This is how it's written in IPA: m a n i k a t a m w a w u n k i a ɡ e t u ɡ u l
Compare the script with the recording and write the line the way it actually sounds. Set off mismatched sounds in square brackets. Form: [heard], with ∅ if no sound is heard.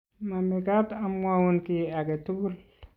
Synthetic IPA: m a [m] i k a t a m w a w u n k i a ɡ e t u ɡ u l